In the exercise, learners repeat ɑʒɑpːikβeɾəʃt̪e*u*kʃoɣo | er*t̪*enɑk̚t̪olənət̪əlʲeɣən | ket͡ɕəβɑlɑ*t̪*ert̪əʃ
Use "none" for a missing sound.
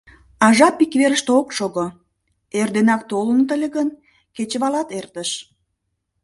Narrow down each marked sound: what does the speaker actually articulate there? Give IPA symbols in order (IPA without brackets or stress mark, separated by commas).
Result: o, d̪, t̪